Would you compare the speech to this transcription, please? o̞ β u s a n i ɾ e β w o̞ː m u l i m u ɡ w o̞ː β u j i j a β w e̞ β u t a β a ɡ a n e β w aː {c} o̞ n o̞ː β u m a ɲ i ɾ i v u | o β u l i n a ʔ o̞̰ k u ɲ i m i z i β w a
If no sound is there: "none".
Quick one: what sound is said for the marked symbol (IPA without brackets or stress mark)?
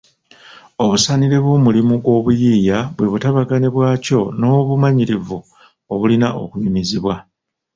c